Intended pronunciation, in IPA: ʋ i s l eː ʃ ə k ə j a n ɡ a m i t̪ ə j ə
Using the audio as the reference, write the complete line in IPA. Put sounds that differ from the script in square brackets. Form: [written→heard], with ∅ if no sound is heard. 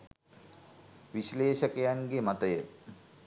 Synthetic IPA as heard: ʋ i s l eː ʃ ə k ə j a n ɡ [a→e] m [i→a] t̪ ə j ə